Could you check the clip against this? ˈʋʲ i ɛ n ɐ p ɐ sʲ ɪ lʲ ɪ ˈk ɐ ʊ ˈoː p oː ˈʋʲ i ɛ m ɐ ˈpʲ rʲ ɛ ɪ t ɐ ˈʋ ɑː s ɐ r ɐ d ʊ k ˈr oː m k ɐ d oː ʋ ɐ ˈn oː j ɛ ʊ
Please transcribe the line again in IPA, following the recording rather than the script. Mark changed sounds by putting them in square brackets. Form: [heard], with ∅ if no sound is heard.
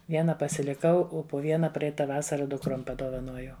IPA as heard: ˈʋʲ i ɛ n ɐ p ɐ sʲ ɪ lʲ ɪ ˈk ɐ ʊ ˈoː p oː ˈʋʲ i ɛ [n] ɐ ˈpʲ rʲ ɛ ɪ t ɐ ˈʋ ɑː s ɐ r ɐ d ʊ k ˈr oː m [p] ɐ d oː ʋ ɐ ˈn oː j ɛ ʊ